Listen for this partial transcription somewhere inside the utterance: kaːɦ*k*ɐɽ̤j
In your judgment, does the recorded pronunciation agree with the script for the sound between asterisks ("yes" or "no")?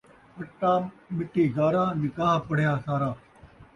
no